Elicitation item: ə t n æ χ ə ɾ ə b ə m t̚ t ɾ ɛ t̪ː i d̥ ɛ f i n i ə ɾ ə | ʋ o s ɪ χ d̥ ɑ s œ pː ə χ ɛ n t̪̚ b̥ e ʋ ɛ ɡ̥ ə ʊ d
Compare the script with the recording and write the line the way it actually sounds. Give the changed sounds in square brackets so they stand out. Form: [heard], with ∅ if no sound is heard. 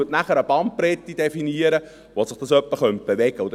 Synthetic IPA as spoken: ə t n æ χ ə ɾ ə b [ɑ] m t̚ [p] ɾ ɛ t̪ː i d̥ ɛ f i n i ə ɾ ə | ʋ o s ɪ χ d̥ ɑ s œ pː ə χ [œ] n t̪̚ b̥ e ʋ ɛ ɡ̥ ə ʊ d